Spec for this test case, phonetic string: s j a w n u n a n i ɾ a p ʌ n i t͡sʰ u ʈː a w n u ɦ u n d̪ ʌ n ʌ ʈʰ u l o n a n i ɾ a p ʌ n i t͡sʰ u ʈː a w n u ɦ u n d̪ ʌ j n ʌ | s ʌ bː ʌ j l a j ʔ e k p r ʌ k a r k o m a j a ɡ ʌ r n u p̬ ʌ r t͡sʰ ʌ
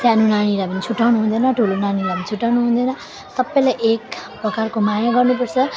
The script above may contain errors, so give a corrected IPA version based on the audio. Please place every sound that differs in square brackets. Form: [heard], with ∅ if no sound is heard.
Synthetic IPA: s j a [∅] n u n a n i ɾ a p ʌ n i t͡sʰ u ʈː a w n u ɦ u n d̪ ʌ n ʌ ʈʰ u l o n a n i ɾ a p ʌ n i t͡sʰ u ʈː a w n u ɦ u n d̪ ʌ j n ʌ | s ʌ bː ʌ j l a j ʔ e k p r ʌ k a r k o m a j a ɡ ʌ r n u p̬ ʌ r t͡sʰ ʌ